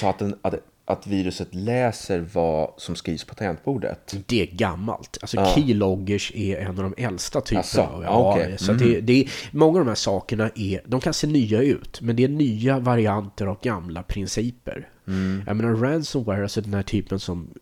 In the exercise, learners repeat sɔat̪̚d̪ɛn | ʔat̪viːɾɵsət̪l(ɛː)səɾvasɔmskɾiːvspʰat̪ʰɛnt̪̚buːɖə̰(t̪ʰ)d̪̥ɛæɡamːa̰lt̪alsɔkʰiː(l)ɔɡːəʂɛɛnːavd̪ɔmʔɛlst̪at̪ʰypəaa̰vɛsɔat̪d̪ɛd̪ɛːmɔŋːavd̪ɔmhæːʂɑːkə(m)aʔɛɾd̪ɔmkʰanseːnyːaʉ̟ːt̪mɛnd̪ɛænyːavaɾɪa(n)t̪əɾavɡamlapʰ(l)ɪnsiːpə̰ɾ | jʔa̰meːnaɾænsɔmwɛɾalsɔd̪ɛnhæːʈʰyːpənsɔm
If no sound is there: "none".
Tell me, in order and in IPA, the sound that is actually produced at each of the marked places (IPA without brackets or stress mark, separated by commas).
ɛː, t̪, l, ɳ, n, ɾ